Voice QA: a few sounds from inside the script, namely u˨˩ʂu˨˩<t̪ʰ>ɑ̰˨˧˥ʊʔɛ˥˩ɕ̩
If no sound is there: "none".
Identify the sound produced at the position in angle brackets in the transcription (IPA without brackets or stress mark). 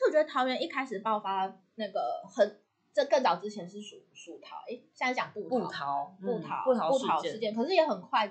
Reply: t̪ʰ